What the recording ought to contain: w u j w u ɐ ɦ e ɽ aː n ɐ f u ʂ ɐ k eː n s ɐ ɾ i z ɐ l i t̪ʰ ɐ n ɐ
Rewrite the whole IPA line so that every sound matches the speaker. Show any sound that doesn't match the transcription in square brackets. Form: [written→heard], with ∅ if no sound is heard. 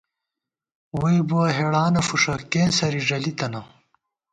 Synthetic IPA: w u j [w→b] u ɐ ɦ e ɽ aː n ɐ f u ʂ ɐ k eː n s ɐ ɾ i [z→ʐ] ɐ l i [t̪ʰ→t̪] ɐ n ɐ